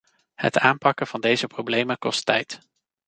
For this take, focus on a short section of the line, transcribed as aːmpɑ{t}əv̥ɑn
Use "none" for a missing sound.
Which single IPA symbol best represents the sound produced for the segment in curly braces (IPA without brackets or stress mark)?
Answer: k